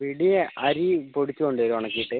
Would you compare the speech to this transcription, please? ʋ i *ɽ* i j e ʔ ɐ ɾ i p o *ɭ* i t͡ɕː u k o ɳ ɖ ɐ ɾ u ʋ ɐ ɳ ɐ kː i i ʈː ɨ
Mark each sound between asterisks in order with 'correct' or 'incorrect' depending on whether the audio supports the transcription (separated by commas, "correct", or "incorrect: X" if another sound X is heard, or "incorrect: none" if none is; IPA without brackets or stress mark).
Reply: correct, incorrect: ɽ